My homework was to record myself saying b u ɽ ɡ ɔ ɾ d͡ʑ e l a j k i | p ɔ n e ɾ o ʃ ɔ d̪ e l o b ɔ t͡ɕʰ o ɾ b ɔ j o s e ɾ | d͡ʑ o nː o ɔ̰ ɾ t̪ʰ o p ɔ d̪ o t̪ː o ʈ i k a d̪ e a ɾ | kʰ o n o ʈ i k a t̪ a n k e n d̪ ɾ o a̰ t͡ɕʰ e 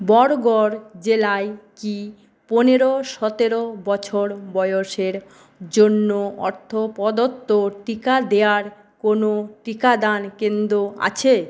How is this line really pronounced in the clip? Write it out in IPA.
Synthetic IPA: b ɔ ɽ ɡ ɔ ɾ d͡ʑ e l a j k i | p o n e ɾ o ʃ ɔ t̪ e ɾ o b ɔ t͡ɕʰ o ɾ b ɔ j o ʃ e ɾ | d͡ʑ o nː o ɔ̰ ɾ t̪ʰ o p ɔ d̪ o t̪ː o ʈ i k a d̪ e a ɾ | k o n o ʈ i k a d̪ a n k e n d̪ ɾ o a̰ t͡ɕʰ e

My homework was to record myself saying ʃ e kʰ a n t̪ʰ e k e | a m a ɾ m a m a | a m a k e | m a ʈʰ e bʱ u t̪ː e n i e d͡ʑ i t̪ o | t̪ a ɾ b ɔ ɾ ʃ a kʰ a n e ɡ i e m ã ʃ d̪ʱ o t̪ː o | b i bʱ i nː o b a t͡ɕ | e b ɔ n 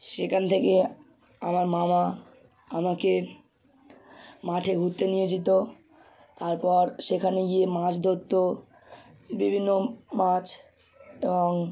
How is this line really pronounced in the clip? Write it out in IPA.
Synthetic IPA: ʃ e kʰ a n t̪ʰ e k e | a m a ɾ m a m a | a m a k e | m a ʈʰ e ɡʱ u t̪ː e n i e d͡ʑ i t̪ o | t̪ a ɾ p ɔ ɾ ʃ e kʰ a n e ɡ i e m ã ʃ d̪ʱ o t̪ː o | b i bʱ i nː o m a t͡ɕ | e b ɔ ŋ

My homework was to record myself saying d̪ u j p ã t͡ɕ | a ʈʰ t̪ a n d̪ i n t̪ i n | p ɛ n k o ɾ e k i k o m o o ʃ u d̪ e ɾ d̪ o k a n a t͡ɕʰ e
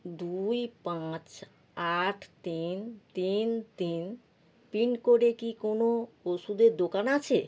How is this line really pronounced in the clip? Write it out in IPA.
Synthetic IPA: d̪ u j p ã t͡ɕ | a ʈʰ t̪ i n t̪ i n t̪ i n | p i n k o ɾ e k i k o n o o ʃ u d̪ e ɾ d̪ o k a n a t͡ɕʰ e

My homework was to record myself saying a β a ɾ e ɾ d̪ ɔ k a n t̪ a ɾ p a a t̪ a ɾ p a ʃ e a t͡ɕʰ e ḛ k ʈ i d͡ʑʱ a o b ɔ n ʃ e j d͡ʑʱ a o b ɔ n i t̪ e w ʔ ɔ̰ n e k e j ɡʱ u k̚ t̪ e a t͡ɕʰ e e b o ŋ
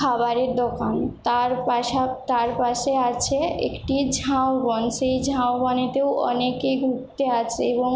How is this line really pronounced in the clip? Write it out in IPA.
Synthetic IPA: a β a ɾ e ɾ d̪ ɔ k a n t̪ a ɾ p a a t̪ a ɾ p a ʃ e a t͡ɕʰ e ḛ k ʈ i d͡ʑʱ a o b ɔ n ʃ e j d͡ʑʱ a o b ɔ n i t̪ e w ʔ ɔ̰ n e k e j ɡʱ u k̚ t̪ e a t͡ɕʰ e e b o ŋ

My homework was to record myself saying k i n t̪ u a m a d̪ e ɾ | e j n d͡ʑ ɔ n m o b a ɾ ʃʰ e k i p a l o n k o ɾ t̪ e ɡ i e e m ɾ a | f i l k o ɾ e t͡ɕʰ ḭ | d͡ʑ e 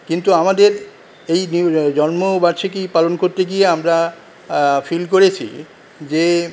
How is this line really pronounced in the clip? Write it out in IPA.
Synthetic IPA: k i n t̪ u a m a d̪ e ɾ | e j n d͡ʑ ɔ n m o b a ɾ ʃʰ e k i p a l o n k o ɾ t̪ e ɡ i e a m ɾ a | f i l k o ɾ e t͡ɕʰ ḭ | d͡ʑ e

